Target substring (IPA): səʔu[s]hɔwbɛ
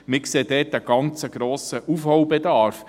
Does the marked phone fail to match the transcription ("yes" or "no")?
yes